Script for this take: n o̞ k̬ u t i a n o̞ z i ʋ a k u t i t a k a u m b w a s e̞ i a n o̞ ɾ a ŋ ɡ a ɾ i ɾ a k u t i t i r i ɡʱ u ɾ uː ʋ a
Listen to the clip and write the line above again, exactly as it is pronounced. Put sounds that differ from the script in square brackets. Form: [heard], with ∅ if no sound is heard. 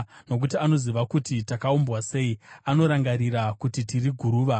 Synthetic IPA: n o̞ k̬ u t i a n o̞ z i ʋ a k u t i t a k a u m b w a s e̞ i a n o̞ ɾ a ŋ ɡ a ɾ i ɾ a k u t i t i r i ɡʱ u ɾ uː ʋ a